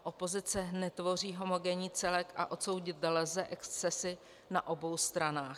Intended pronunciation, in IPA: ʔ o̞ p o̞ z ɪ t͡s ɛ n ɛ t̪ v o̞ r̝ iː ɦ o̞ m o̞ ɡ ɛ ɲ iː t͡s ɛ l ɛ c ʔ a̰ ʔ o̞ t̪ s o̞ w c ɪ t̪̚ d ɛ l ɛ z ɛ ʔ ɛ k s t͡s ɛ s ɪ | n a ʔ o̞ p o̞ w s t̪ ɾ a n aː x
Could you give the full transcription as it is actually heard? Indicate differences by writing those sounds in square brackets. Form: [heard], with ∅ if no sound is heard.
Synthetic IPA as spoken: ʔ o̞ p o̞ z ɪ t͡s ɛ n ɛ t̪ v o̞ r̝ iː ɦ o̞ m o̞ ɡ ɛ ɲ iː t͡s ɛ l ɛ [k] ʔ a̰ ʔ o̞ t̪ s o̞ w [ɟ] ɪ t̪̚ d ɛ l ɛ z ɛ ʔ ɛ k s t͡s ɛ s ɪ | n a ʔ o̞ [b] o̞ w s t̪ ɾ a n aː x